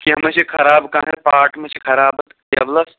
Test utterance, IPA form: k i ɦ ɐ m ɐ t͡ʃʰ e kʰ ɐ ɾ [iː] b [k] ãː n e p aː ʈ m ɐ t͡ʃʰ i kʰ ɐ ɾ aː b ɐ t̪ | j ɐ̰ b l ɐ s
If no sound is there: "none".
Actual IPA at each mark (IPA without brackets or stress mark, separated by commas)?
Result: aː, k